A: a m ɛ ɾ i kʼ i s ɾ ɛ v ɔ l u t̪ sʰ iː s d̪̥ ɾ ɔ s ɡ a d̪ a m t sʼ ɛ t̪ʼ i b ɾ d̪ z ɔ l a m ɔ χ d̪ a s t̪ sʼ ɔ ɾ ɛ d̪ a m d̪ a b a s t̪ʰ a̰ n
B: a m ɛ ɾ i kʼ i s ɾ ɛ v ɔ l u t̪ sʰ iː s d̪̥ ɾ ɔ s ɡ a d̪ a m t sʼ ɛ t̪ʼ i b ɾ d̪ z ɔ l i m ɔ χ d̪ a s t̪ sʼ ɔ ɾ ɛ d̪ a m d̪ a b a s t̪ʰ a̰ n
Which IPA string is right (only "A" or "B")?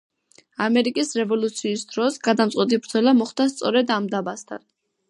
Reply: A